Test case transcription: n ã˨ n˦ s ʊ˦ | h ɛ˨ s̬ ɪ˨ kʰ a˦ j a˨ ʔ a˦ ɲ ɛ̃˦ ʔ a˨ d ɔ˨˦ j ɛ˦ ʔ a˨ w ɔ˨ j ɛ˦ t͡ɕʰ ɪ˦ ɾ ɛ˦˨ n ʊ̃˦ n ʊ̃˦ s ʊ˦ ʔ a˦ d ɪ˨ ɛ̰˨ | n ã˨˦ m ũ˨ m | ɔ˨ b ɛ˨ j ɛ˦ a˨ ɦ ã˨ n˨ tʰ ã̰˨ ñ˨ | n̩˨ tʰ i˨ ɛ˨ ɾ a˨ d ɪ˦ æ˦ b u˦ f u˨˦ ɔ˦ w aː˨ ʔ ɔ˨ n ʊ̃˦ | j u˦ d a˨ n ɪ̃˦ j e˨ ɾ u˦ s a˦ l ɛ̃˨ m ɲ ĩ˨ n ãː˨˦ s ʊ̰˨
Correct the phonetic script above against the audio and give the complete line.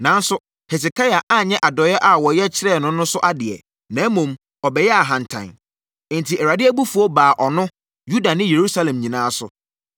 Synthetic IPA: n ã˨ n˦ s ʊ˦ | h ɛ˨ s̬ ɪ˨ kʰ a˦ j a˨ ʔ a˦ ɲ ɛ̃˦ ʔ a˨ d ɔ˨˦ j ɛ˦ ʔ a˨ w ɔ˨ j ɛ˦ t͡ɕʰ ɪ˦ ɾ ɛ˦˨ n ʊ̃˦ n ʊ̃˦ s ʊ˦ ʔ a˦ d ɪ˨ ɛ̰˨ | n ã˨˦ m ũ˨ m | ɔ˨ b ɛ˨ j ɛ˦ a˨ ɦ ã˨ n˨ tʰ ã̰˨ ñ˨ | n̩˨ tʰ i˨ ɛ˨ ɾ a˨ d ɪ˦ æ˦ b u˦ f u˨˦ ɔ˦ b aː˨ ʔ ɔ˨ n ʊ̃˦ | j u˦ d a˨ n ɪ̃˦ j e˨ ɾ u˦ s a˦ l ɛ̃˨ m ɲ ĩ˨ n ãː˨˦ s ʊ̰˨